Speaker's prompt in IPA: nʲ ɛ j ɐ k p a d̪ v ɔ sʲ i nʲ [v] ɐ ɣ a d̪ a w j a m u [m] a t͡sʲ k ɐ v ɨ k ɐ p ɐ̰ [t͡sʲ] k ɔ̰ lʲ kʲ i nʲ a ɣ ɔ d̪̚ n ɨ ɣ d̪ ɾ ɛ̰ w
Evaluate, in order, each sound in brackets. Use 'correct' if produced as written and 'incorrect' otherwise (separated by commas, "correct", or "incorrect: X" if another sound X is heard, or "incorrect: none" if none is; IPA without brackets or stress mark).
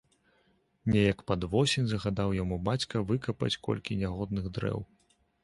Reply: incorrect: z, incorrect: b, correct